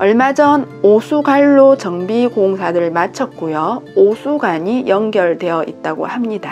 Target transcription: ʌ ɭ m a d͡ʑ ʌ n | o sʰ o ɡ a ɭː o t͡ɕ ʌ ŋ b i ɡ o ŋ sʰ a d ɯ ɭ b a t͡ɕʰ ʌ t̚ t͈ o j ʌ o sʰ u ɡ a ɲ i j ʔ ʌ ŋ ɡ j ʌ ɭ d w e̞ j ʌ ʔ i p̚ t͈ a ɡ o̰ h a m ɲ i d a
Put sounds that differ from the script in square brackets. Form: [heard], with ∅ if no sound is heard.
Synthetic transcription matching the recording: ʌ ɭ m a d͡ʑ ʌ n | o sʰ [u] ɡ a ɭː o t͡ɕ ʌ ŋ b i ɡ o ŋ sʰ a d ɯ ɭ [m] a t͡ɕʰ ʌ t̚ [k͈] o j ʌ o sʰ u ɡ a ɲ i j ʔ ʌ ŋ ɡ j ʌ ɭ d w e̞ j ʌ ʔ i [t̚] t͈ a ɡ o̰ h a m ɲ i d a